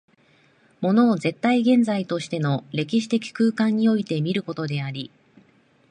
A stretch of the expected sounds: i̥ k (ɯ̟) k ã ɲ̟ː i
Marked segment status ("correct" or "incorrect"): incorrect